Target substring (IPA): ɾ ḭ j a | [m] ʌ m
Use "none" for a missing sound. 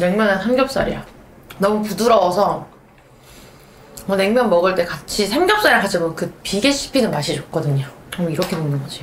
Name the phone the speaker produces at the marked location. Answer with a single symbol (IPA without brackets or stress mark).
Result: n